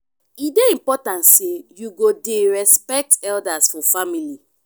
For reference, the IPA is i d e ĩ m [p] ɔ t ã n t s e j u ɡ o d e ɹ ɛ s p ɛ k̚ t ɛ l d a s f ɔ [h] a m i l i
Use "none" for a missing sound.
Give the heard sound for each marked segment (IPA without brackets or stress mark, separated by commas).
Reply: p, f